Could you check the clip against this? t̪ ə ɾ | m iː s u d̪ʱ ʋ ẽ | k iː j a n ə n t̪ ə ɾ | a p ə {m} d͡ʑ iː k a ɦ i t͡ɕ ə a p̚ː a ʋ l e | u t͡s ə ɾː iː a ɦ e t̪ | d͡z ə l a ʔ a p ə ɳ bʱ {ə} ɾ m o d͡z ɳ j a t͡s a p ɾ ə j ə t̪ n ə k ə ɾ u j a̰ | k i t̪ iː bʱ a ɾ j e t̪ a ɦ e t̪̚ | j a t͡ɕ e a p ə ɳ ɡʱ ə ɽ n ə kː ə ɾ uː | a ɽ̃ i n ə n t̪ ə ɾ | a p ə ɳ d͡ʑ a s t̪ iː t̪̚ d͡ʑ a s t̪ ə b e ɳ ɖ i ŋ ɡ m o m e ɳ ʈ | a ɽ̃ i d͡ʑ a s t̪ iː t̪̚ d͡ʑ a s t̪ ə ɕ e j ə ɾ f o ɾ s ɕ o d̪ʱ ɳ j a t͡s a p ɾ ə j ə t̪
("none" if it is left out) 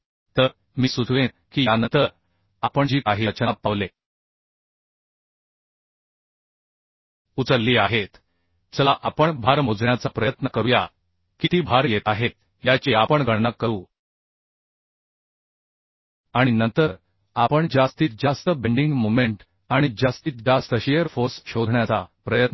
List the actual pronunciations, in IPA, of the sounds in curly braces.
ɳ, a

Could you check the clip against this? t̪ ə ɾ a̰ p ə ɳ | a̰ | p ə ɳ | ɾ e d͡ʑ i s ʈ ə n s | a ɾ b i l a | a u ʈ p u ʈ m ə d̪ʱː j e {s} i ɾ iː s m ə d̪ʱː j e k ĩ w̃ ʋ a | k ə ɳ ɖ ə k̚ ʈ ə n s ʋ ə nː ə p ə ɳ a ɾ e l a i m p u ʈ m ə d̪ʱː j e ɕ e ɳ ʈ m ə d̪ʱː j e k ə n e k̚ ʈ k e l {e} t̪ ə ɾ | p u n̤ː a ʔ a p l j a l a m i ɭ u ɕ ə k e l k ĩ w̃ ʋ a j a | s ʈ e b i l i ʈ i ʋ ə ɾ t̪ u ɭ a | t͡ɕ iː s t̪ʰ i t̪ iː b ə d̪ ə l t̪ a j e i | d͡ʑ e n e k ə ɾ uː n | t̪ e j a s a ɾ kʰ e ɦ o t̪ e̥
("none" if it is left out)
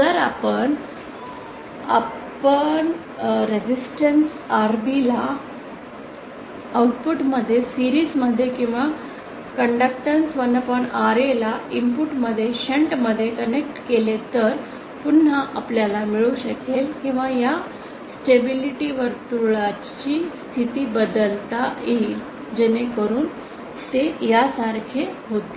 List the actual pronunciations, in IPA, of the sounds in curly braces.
s, e

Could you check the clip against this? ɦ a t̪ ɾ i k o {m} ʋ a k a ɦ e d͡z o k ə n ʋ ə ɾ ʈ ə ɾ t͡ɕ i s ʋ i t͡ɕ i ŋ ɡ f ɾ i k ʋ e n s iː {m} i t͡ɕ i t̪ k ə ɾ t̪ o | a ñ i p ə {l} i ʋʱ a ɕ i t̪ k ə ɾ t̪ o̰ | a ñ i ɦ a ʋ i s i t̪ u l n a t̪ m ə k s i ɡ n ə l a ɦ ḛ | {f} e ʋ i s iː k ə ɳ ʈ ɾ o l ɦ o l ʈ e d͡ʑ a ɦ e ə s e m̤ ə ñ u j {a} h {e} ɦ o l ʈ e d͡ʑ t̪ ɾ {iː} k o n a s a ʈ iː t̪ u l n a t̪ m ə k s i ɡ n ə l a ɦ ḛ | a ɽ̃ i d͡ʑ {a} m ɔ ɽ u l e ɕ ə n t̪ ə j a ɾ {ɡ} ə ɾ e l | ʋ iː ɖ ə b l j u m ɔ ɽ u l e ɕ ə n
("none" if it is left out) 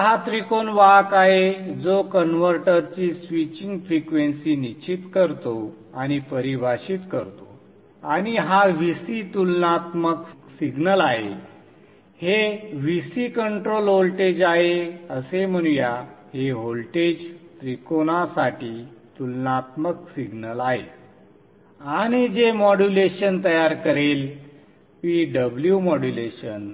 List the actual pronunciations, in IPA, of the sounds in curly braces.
n, n, ɾ, h, a, e, i, e, k

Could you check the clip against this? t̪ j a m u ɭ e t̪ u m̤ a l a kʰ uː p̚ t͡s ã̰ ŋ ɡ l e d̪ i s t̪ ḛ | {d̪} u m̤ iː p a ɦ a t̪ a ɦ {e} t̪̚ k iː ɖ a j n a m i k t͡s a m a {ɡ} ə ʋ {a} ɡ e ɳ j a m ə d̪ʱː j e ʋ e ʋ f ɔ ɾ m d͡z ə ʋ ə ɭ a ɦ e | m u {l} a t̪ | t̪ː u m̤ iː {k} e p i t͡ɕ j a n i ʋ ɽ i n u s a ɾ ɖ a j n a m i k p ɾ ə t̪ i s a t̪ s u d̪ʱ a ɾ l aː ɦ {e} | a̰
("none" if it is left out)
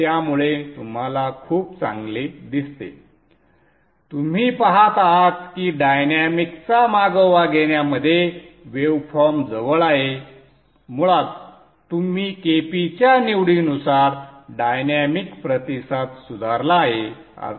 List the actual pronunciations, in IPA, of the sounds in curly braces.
t̪, a, ɡ, a, ɭ, k, e

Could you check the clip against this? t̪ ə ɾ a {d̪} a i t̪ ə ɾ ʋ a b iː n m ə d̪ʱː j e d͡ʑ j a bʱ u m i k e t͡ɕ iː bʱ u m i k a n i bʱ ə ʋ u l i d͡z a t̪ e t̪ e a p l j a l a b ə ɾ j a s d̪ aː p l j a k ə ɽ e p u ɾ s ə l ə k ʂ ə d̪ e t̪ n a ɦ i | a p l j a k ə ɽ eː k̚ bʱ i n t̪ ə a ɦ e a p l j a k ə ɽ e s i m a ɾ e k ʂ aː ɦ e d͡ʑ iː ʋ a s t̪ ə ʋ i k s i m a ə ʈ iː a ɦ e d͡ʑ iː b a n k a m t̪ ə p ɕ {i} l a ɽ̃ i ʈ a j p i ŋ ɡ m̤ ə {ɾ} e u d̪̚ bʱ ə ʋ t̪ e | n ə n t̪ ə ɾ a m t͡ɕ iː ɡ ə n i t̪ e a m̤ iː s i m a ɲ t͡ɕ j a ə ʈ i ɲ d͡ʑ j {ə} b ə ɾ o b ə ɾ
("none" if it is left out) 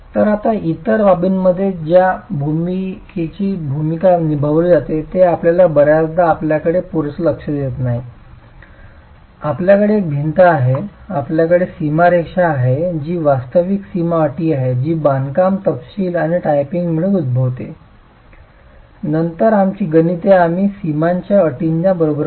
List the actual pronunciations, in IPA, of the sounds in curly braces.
t̪, iː, ɭ, a

